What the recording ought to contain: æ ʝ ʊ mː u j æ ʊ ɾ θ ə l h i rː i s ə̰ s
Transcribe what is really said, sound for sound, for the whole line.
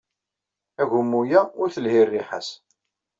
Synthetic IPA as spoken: æ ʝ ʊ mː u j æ ʊ ɾ θ ə l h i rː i ħ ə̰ s